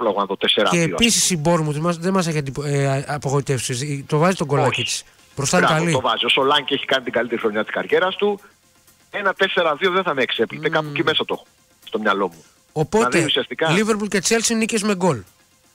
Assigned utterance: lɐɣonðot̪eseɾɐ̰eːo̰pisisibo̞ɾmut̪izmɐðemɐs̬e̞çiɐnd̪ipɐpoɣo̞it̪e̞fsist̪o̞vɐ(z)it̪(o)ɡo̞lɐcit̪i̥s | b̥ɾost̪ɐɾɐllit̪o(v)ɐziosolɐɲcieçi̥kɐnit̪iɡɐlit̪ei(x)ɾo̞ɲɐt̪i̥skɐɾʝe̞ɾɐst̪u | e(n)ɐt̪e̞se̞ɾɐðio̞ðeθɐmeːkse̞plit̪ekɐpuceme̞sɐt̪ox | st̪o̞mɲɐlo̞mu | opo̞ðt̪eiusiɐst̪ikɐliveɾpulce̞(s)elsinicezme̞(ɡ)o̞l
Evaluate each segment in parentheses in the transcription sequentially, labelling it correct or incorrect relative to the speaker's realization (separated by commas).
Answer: correct, correct, correct, correct, correct, incorrect, correct